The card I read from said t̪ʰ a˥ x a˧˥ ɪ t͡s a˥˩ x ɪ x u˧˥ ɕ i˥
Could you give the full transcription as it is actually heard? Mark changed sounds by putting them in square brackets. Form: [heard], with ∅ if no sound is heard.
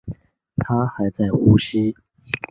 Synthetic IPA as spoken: t̪ʰ a˥ x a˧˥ ɪ t͡s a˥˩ [∅] ɪ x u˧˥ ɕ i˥